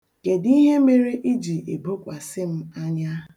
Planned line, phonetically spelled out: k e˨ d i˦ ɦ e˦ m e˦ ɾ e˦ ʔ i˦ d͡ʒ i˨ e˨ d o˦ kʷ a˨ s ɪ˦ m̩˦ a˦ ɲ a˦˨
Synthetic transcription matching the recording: k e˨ d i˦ ɦ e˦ m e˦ ɾ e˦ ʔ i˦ d͡ʒ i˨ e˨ b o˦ kʷ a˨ s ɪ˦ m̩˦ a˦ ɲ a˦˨